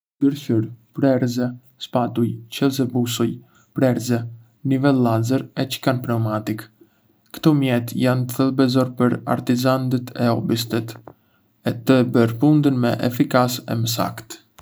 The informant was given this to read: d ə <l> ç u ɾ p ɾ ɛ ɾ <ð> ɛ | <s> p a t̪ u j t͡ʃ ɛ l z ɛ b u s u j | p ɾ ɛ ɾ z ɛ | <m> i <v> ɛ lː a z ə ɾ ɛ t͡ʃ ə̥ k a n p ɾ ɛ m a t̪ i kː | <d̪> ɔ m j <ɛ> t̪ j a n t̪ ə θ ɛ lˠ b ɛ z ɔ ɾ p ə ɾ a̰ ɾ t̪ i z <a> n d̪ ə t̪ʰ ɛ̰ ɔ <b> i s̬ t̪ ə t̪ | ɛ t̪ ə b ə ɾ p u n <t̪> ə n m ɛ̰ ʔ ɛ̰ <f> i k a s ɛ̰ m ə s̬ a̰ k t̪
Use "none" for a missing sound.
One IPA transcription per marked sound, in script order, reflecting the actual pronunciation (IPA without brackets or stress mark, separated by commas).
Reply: ɾ, z, s, n, v, t̪, ɛ, a, b, d̪, f